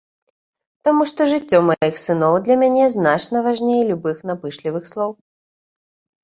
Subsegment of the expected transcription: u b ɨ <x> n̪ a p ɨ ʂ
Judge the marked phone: correct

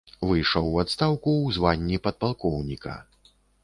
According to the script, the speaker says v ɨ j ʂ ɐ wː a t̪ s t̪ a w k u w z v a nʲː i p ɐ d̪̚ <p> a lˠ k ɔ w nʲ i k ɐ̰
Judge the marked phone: correct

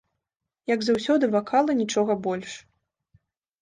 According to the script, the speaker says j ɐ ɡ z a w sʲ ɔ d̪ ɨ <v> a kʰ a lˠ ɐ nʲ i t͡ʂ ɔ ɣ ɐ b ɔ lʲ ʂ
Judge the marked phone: correct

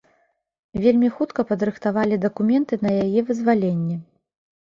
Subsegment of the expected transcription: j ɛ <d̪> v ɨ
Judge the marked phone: incorrect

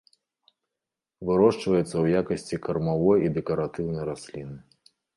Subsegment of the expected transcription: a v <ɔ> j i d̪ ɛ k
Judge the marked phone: correct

